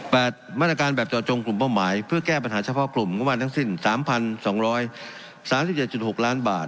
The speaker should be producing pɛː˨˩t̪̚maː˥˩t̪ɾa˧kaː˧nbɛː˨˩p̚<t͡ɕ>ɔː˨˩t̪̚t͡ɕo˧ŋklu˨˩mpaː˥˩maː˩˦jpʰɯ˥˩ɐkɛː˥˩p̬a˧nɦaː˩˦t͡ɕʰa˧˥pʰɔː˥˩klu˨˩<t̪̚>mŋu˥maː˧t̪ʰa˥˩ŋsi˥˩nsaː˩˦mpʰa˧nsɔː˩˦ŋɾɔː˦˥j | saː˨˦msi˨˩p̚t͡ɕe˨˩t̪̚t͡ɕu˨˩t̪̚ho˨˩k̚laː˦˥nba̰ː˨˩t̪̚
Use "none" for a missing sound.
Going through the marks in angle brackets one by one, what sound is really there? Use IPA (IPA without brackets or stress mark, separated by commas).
t͡ɕ, none